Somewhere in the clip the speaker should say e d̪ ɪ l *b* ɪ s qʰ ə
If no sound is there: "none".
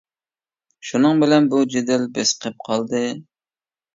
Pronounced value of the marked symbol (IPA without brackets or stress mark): b